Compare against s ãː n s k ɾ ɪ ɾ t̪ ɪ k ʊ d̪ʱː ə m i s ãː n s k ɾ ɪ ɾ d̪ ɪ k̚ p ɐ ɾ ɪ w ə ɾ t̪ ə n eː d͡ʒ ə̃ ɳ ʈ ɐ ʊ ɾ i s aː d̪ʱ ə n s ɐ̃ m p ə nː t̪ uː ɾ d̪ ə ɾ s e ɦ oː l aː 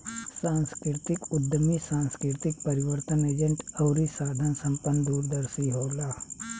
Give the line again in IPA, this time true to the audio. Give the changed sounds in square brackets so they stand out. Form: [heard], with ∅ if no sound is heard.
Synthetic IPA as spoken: s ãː n s k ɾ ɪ ɾ t̪ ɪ k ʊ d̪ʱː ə m i s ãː n s k ɾ ɪ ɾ [t̪] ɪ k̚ p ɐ ɾ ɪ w ə ɾ t̪ ə n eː d͡ʒ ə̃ ɳ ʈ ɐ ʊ ɾ i s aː d̪ʱ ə n s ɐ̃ m p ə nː [d̪] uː ɾ d̪ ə ɾ s [i] ɦ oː l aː